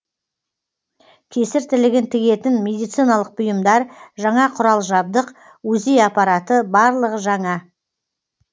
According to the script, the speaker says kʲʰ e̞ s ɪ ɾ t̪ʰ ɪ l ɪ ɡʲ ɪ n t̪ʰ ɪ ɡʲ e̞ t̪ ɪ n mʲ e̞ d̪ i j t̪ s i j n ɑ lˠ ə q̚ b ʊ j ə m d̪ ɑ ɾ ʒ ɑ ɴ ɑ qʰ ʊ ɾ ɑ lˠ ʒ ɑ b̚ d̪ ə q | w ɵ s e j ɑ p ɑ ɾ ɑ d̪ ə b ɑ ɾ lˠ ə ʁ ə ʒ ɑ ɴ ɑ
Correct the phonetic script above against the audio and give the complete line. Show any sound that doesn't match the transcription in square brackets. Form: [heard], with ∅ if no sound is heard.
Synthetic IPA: kʲʰ e̞ s ɪ ɾ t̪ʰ ɪ l ɪ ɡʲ ɪ n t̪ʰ ɪ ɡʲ e̞ t̪ ɪ n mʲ e̞ d̪ i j t̪ s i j n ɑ lˠ ə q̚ b ʊ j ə m d̪ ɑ ɾ ʒ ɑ ɴ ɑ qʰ ʊ ɾ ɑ lˠ ʒ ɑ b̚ d̪ ə q | w ɵ [z] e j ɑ p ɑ ɾ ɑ [t̪] ə b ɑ ɾ lˠ ə ʁ ə ʒ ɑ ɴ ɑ